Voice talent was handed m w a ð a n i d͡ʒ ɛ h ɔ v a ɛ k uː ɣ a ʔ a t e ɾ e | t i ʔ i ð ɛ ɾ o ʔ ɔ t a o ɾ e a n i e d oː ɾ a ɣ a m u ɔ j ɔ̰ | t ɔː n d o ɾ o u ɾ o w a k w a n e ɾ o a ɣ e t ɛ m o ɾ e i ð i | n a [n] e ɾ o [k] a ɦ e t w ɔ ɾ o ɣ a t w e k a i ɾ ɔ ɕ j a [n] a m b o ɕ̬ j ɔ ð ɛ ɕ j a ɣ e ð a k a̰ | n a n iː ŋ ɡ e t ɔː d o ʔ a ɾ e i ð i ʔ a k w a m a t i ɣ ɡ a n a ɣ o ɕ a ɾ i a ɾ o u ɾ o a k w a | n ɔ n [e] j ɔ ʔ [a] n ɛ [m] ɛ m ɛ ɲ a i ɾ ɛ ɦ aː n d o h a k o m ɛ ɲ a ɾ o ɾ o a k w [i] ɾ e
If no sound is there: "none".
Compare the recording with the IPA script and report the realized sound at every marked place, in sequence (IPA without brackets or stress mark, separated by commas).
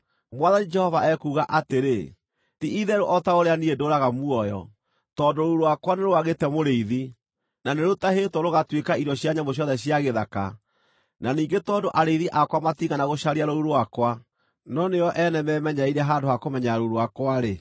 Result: n, t, ɲ, e, ɛ, m, a